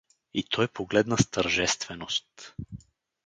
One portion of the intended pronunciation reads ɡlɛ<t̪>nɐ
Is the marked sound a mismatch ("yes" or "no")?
yes